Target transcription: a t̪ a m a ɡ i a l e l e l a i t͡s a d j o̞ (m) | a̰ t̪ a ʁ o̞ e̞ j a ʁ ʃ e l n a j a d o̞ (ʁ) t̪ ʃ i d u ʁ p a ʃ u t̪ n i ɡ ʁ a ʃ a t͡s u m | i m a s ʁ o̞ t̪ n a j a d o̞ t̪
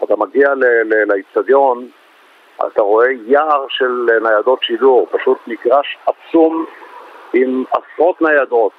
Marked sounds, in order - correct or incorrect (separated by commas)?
incorrect, incorrect